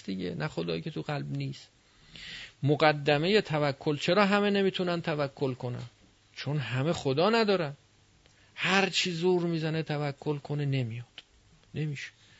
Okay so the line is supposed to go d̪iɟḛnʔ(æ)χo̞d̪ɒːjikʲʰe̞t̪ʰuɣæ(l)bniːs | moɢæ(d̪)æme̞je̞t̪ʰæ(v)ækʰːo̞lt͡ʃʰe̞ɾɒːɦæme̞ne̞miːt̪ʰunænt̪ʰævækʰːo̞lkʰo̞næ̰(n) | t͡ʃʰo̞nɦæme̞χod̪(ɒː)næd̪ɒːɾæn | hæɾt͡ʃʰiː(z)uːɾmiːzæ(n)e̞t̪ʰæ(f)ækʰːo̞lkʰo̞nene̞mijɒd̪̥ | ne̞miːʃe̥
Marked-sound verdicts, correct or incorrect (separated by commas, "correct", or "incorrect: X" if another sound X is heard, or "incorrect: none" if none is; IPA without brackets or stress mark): correct, correct, incorrect: d̪ː, correct, correct, correct, correct, correct, incorrect: v